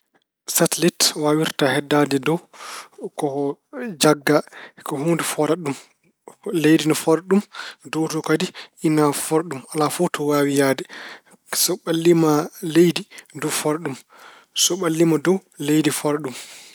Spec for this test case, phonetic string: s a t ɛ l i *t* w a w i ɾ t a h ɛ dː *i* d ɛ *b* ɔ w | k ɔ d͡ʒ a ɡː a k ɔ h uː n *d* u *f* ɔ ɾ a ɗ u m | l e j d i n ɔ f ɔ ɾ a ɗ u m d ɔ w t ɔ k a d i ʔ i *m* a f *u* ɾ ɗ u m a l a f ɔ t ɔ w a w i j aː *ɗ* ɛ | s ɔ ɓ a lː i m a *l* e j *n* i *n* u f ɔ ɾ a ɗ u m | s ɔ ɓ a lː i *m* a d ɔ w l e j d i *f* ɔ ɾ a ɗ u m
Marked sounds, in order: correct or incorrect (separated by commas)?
correct, incorrect, incorrect, correct, correct, incorrect, incorrect, incorrect, correct, incorrect, incorrect, correct, correct